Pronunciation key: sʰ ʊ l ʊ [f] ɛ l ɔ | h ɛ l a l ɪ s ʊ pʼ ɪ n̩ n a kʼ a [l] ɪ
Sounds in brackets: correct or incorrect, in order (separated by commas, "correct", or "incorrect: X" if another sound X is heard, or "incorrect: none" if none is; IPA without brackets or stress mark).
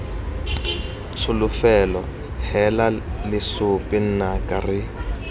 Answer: correct, incorrect: r